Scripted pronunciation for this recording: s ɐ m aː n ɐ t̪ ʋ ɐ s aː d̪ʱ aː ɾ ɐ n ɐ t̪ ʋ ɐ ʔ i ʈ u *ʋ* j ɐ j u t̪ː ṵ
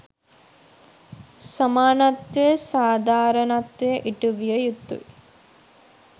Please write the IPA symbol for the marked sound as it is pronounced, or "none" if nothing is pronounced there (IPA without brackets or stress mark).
ʋ